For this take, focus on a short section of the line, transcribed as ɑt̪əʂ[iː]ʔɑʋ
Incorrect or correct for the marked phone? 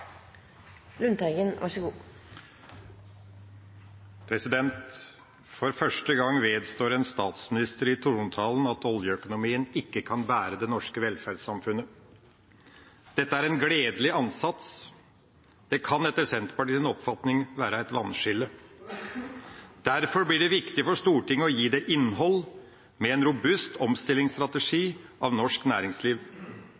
correct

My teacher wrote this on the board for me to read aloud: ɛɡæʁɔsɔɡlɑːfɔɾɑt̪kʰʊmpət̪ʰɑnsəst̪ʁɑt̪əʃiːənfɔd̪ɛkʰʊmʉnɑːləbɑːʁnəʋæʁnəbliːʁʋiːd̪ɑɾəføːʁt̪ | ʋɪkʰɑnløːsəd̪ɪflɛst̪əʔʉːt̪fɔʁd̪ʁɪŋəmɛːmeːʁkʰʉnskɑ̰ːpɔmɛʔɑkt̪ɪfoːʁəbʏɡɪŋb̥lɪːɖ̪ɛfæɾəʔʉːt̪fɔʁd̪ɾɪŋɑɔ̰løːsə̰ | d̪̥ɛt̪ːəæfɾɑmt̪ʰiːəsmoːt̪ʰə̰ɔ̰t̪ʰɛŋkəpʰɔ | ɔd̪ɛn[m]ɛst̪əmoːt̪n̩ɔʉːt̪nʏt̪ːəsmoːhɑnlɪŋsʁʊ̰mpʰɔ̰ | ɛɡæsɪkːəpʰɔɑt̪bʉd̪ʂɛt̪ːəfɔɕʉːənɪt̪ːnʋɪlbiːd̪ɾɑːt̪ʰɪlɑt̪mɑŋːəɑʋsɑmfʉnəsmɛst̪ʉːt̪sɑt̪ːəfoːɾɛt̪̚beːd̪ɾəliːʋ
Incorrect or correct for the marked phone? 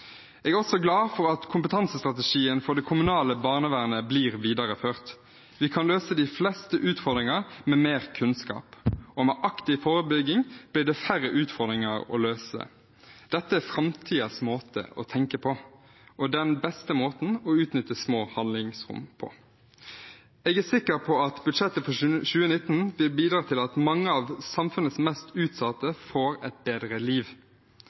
incorrect: b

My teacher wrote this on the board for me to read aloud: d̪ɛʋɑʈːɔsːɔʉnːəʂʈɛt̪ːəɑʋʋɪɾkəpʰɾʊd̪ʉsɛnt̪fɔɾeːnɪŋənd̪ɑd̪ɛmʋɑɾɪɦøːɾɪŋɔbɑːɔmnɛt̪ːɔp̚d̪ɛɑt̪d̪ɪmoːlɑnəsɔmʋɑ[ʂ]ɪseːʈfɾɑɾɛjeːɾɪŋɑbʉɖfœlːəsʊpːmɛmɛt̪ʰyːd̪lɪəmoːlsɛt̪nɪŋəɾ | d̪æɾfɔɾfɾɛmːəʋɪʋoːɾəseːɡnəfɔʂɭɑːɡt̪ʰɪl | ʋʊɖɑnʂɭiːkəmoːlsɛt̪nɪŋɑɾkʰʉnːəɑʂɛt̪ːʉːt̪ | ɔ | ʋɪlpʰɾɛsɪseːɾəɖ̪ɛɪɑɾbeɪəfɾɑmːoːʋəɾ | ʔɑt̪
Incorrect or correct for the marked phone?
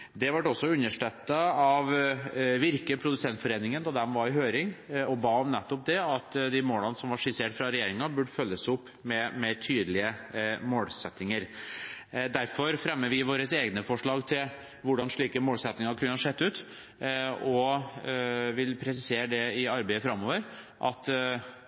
correct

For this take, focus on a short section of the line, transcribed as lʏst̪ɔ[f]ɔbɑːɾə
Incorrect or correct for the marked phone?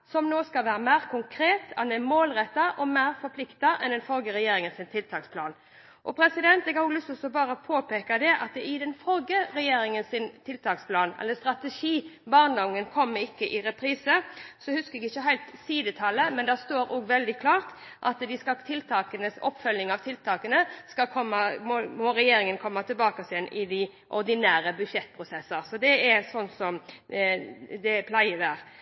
incorrect: s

